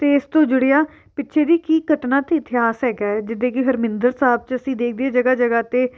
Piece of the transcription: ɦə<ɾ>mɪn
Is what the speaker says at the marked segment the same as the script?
yes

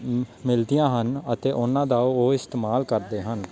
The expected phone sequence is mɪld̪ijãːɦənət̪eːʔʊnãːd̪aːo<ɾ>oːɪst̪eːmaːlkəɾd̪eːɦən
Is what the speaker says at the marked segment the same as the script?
no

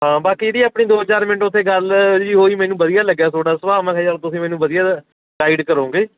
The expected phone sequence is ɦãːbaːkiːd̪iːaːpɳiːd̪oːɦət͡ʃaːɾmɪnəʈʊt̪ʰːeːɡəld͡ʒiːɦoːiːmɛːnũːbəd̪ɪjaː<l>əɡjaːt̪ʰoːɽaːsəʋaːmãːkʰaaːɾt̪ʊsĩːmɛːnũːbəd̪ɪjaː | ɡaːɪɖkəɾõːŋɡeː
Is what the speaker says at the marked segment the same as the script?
yes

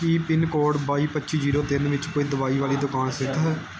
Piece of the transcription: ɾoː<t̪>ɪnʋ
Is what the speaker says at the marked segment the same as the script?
yes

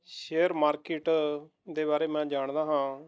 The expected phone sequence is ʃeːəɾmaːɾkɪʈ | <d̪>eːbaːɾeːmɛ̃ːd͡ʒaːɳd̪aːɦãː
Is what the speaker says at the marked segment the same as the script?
yes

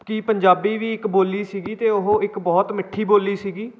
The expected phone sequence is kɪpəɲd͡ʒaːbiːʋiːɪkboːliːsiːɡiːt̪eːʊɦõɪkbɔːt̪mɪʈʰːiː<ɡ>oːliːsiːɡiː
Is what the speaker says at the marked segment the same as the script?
no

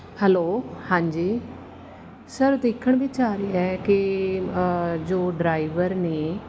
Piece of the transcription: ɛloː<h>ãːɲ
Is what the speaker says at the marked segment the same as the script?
yes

